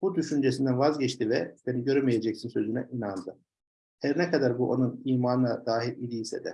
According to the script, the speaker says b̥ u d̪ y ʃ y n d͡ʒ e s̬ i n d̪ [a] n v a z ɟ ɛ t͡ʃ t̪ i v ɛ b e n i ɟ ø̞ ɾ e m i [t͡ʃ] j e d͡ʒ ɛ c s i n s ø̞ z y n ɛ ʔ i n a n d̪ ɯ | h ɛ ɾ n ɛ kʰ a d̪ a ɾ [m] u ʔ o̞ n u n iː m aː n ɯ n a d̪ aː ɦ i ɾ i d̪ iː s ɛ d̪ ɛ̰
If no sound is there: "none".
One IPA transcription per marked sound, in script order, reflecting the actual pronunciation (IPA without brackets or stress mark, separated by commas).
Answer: æ, none, b